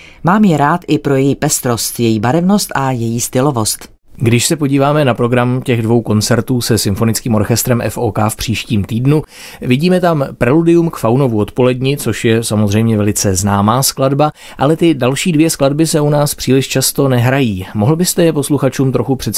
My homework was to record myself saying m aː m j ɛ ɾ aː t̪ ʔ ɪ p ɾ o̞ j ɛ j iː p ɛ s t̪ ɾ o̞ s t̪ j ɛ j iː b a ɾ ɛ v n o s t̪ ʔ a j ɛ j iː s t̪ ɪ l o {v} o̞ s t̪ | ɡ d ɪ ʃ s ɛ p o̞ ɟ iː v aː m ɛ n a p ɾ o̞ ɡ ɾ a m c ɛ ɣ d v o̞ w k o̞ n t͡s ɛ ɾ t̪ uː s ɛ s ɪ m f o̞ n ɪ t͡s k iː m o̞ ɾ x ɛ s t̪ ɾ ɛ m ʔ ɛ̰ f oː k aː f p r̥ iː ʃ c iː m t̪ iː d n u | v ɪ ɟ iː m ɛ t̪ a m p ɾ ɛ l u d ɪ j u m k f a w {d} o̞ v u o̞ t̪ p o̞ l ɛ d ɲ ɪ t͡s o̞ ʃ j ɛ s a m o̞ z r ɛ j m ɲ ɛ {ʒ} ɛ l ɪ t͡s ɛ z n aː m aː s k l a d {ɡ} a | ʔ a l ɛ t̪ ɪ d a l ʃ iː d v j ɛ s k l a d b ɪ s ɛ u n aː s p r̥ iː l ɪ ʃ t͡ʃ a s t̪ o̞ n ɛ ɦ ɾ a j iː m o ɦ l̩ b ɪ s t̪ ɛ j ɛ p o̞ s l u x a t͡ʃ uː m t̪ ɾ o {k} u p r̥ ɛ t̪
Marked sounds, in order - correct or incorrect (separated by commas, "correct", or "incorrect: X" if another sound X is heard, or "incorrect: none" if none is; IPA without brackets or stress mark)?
correct, incorrect: n, incorrect: v, incorrect: b, incorrect: x